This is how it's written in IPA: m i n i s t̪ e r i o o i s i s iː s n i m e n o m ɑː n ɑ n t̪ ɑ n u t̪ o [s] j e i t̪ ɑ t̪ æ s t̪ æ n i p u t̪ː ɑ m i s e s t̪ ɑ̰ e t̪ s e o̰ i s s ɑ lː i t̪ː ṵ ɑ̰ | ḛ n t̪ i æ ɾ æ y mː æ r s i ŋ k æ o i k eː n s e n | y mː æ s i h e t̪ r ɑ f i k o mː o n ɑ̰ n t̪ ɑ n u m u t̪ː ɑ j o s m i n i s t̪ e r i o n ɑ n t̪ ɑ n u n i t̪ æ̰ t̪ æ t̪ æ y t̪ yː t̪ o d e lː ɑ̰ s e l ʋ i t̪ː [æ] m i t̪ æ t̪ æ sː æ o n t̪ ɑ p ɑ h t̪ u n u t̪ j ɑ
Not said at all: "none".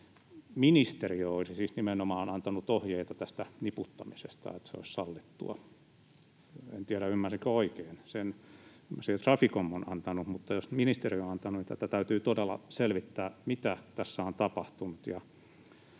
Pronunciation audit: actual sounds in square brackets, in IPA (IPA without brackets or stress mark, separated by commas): h, æː